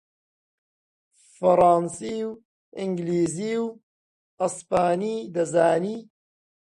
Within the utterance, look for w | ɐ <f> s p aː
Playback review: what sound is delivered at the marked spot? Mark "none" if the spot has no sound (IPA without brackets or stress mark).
none